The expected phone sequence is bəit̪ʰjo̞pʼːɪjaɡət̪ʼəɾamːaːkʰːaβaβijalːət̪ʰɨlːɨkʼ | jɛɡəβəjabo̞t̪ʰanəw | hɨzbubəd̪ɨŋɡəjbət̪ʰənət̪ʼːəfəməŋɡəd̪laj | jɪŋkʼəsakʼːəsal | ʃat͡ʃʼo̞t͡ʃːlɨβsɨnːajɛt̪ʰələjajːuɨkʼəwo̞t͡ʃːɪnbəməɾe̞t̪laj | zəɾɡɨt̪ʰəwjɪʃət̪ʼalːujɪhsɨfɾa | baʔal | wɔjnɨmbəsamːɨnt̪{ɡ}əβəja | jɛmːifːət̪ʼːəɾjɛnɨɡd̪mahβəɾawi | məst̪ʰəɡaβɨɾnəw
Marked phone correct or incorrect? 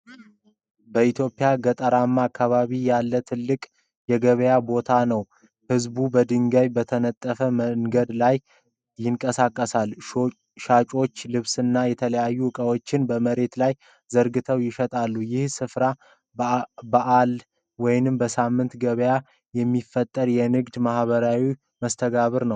correct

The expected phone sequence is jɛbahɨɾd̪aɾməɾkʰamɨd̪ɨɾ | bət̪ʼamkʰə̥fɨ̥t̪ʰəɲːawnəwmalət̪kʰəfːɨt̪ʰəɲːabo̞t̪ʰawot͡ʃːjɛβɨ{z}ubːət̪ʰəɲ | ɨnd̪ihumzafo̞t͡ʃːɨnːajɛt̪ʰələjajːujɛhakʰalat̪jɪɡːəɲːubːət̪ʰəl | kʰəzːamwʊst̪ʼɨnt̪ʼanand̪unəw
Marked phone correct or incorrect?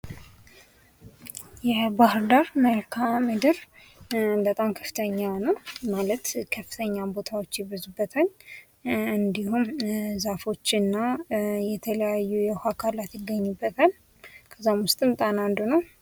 correct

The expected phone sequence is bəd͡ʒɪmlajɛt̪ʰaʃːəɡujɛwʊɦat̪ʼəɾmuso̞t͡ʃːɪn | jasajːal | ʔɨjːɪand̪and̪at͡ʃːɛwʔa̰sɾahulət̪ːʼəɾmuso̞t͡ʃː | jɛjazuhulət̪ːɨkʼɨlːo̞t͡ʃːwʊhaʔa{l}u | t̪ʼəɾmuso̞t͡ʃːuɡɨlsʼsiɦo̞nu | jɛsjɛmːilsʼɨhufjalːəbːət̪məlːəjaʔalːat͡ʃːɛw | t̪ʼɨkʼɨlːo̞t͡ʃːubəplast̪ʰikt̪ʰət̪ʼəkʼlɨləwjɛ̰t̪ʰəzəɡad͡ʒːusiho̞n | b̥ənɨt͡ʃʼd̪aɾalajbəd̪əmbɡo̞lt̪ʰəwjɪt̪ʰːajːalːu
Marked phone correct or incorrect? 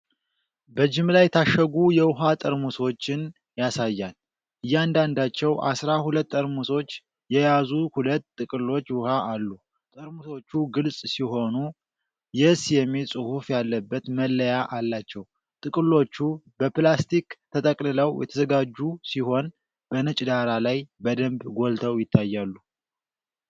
incorrect: lː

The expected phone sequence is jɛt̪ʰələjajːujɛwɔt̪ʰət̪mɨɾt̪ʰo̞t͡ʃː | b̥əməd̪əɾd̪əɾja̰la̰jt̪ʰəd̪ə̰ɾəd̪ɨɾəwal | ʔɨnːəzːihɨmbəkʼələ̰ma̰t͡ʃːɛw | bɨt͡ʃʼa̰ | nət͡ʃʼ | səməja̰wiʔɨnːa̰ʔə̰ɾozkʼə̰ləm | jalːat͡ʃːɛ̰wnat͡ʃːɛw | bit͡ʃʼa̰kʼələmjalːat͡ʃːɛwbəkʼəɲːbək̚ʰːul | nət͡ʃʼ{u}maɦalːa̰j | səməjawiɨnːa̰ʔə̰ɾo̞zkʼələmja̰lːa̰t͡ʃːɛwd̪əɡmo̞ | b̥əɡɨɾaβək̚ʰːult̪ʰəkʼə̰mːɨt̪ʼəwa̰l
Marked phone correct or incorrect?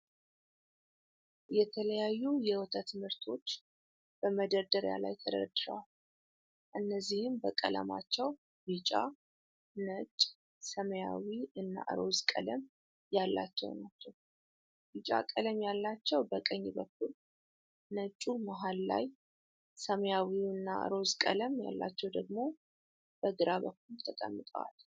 correct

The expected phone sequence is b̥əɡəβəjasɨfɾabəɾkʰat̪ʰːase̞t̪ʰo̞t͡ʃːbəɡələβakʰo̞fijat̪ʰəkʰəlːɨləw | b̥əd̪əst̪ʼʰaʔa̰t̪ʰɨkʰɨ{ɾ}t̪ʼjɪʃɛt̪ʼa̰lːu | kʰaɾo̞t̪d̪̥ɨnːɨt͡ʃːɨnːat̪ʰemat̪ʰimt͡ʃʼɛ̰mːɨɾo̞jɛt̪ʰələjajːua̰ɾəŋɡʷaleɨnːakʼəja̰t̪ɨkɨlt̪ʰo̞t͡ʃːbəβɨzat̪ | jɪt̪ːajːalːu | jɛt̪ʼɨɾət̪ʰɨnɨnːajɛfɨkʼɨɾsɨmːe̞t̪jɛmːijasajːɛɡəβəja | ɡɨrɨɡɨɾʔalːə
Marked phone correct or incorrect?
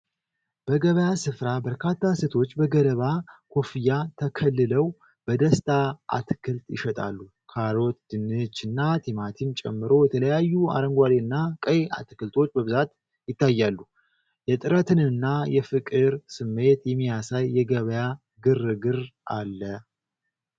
incorrect: l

